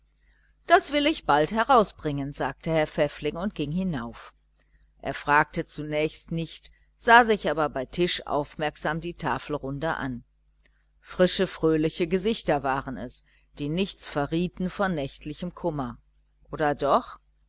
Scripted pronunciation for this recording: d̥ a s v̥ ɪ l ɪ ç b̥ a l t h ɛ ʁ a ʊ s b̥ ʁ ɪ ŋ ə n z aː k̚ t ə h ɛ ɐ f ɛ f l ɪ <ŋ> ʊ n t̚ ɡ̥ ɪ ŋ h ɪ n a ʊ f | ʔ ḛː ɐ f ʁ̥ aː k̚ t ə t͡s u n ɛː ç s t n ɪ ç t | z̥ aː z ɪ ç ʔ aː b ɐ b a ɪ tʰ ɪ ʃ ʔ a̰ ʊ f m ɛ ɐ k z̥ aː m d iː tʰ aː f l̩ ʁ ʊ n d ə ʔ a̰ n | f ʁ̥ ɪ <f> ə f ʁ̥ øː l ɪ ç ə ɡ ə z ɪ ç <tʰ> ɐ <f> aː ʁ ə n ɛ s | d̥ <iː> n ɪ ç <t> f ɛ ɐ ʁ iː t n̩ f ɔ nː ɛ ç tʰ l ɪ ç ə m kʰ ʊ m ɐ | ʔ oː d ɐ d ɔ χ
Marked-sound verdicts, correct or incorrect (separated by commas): correct, incorrect, incorrect, incorrect, correct, incorrect